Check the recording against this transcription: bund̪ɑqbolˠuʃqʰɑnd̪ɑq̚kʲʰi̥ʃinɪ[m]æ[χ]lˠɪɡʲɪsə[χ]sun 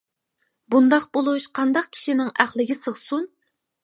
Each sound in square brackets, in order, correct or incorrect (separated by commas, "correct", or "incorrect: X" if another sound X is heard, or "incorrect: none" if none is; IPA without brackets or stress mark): incorrect: ŋ, correct, incorrect: ʁ